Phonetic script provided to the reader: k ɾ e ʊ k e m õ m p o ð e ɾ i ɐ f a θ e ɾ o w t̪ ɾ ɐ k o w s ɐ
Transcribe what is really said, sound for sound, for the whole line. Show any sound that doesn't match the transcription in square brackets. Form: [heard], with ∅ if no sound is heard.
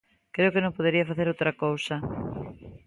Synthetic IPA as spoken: k ɾ e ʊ k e [n] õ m p o ð e ɾ i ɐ f a θ e ɾ o w t̪ ɾ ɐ k o w s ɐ